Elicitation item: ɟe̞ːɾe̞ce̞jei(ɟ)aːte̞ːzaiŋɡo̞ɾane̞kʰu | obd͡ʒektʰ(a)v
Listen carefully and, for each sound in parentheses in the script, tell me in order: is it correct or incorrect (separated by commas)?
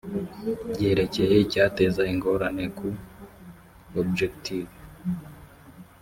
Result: incorrect, incorrect